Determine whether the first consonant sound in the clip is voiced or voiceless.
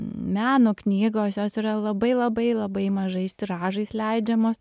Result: voiced